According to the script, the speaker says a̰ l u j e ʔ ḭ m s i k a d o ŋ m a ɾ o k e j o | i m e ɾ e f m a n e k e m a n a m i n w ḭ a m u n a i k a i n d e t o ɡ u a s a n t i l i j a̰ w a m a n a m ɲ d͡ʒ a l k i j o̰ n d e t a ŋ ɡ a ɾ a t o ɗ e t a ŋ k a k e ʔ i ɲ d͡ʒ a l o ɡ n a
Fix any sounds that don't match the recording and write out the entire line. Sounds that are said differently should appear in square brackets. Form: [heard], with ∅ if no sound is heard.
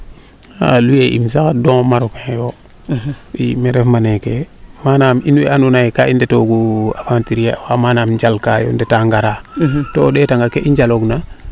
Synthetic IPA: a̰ l u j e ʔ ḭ m s [a] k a d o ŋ m a ɾ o k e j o | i m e ɾ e f m a n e k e m a n a m i n w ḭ a [n] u n a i k a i n d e t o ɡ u a [f] a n t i [ɾ] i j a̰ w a m a n a m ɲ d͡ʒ a l k [a] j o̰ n d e t a ŋ ɡ a ɾ a t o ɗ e t a ŋ [ɡ] a k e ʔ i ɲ d͡ʒ a l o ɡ n a

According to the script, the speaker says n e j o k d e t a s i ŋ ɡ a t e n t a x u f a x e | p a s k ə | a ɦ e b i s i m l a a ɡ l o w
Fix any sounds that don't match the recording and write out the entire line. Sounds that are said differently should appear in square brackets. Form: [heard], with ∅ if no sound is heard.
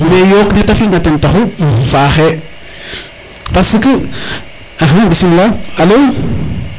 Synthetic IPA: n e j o k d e t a [f] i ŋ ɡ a t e n t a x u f a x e | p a s k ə | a ɦ [a] b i s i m l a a [∅] l o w

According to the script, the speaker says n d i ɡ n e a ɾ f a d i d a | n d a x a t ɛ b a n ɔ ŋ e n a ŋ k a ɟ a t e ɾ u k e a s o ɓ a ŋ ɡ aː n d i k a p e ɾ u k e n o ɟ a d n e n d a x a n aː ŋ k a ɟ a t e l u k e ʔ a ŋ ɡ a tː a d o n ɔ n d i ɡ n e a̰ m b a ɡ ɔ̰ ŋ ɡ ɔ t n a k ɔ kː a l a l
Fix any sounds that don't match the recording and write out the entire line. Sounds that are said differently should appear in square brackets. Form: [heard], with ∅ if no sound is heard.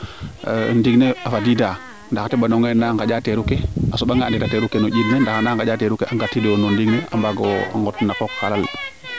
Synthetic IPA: n d i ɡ n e a [∅] f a d i d a | n d a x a t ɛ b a n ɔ ŋ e n a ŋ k a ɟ a t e ɾ u k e a s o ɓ a ŋ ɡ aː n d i [t] a [t] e ɾ u k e n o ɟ [i] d n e n d a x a n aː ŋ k a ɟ a t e [ɾ] u k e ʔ a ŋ ɡ a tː [i] d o n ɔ n d i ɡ n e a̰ m b a ɡ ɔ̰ ŋ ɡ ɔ t n a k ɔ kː a l a l

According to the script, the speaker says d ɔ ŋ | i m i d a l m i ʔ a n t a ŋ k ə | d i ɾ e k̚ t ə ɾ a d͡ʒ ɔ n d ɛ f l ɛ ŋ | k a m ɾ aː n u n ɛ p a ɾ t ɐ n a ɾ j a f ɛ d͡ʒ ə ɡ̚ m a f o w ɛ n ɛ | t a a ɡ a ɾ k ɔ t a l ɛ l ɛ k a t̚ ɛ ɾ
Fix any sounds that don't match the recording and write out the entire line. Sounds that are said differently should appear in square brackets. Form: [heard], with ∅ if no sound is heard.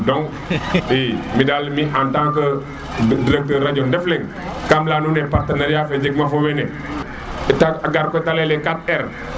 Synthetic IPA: d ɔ ŋ | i m i d a l m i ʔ a n t a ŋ k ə | d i ɾ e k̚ t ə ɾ a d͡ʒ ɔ n d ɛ f l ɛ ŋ | k a m [l] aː n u n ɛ p a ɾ t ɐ n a ɾ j a f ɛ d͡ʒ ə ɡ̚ m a f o w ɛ n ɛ | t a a ɡ a ɾ k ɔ t a l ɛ l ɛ k a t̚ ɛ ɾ

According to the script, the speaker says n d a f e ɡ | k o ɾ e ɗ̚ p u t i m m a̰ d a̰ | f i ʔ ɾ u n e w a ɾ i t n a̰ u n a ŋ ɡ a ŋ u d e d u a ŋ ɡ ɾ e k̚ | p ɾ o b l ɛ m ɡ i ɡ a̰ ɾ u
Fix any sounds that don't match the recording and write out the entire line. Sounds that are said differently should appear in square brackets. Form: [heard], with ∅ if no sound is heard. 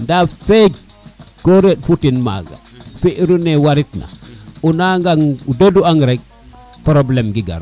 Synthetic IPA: n d a f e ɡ | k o ɾ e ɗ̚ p u t i [n] m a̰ [ɡ] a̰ | f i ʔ ɾ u n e w a ɾ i t n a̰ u n a ŋ ɡ a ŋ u d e d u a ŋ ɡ ɾ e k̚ | p ɾ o b l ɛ m ɡ i ɡ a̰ ɾ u

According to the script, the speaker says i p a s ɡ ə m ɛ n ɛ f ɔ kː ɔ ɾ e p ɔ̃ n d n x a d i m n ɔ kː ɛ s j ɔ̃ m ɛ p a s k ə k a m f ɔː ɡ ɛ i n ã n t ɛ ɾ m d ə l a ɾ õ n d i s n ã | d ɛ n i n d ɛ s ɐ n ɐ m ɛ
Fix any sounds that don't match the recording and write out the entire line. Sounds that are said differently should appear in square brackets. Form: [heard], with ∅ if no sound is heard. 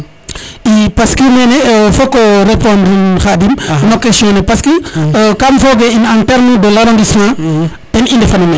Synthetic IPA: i p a s [k] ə m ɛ n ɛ f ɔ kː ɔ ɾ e p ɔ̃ n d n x a d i m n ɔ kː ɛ s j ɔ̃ [n] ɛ p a s k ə k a m f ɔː ɡ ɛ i n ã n t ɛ ɾ m d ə l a ɾ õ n d i s [m] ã | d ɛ n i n d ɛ [f] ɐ n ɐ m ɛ

